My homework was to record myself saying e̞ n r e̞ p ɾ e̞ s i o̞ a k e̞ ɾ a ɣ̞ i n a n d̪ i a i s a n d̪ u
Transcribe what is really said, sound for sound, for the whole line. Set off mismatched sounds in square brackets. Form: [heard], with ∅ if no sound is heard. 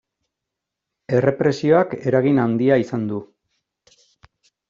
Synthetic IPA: e̞ [∅] r e̞ p ɾ e̞ s i o̞ a k e̞ ɾ a ɣ̞ i n a n d̪ i a i s a n d̪ u